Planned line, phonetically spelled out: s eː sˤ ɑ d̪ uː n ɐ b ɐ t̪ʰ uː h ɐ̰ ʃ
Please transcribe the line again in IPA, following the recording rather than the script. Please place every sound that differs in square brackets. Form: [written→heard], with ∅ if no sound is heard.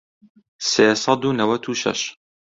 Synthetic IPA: s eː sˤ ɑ d̪ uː n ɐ [b→w] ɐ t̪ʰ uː [h→ʃ] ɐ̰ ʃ